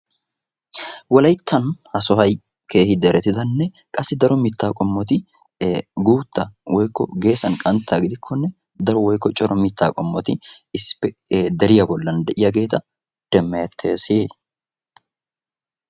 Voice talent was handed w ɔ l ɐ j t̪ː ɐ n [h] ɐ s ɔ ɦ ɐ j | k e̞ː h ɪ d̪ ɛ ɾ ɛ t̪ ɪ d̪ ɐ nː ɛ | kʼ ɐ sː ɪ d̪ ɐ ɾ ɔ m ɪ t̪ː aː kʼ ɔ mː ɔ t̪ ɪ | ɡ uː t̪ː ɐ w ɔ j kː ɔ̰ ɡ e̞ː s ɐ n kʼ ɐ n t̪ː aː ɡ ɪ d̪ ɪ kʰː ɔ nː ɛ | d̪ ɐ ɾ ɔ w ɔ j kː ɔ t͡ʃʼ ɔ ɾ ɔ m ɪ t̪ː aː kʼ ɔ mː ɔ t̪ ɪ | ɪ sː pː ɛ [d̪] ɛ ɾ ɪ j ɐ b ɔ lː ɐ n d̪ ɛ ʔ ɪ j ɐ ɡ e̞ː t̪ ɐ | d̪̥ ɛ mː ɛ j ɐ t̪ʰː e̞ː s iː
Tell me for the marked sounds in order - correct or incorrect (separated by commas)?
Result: correct, correct